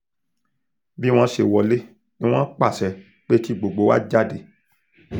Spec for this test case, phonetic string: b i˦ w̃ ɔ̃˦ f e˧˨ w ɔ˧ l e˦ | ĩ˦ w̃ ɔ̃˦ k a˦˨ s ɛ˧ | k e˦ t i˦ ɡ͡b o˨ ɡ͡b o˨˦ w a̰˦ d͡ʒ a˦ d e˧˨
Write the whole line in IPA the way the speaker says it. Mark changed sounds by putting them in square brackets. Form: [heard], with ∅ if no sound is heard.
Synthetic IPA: b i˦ w̃ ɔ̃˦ [ʃ] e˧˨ w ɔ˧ l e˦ | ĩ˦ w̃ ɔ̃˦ [k͡p] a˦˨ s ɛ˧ | [k͡p] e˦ t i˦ ɡ͡b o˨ ɡ͡b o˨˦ w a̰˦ d͡ʒ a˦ d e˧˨